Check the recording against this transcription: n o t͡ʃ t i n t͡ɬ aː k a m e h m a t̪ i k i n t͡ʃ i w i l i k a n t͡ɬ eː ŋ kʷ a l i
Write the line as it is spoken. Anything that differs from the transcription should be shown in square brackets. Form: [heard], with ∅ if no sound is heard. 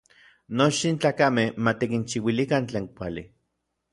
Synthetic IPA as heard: n o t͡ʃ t i n t͡ɬ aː k a m e h m a t̪ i k i n t͡ʃ i w i l i k a n t͡ɬ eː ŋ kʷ a l i